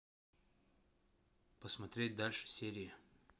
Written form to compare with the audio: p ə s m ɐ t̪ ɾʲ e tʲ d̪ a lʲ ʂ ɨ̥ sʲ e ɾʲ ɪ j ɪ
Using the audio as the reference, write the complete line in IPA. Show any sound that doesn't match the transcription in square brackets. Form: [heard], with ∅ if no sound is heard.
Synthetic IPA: p ə s m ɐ t̪ ɾʲ e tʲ d̪ a lʲ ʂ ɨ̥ sʲ e ɾʲ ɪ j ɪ